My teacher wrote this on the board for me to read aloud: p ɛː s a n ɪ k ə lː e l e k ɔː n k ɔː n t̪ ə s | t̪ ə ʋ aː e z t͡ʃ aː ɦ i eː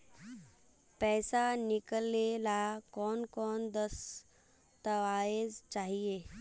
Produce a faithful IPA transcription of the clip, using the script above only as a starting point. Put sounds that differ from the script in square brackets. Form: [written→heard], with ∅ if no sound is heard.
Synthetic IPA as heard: p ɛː s a n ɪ k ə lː e l [e→a] k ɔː n k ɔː n [t̪→d̪] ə s | t̪ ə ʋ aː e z t͡ʃ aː ɦ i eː